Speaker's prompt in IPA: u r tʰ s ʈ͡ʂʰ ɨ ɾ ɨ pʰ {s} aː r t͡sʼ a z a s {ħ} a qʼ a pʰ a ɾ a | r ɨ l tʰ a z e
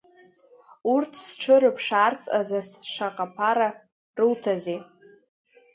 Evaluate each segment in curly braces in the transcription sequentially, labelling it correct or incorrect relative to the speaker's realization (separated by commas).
incorrect, incorrect